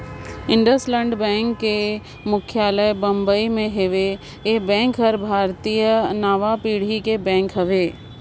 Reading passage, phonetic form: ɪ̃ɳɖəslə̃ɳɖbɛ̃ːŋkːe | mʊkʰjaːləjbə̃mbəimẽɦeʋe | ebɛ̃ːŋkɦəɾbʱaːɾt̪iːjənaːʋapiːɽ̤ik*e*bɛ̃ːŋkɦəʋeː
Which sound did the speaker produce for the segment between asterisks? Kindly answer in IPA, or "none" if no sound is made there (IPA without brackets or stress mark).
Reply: e